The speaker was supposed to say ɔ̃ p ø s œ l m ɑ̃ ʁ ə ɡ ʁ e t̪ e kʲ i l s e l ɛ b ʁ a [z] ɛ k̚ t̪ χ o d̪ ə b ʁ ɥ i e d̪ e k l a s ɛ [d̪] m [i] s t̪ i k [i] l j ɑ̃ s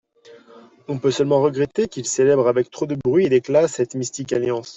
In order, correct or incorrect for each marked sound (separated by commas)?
incorrect, incorrect, correct, incorrect